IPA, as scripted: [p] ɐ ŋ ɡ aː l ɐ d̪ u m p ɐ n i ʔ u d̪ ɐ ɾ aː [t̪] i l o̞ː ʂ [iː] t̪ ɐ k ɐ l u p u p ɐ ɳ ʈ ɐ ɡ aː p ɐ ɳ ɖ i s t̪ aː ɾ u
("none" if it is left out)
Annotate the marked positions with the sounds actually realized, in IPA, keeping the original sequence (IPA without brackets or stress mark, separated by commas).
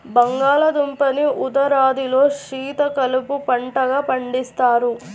b, d̪, iː